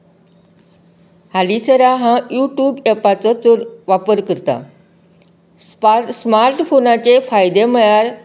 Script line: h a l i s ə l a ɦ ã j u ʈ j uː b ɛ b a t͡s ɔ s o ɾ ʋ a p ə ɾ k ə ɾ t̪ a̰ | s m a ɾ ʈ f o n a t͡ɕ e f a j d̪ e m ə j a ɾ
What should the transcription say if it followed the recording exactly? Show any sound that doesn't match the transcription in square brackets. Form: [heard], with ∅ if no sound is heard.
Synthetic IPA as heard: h a l i s ə [ɾ] a ɦ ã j u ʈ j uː b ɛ [p] a t͡s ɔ [t͡s] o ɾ ʋ a p ə ɾ k ə ɾ t̪ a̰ | s m a ɾ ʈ f o n a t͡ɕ e f a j d̪ e m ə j a ɾ